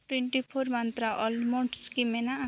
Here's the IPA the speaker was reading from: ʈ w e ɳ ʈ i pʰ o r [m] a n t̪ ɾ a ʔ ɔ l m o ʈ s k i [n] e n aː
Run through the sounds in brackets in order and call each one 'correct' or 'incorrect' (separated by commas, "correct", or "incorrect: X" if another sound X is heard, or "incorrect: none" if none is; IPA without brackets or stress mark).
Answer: correct, incorrect: m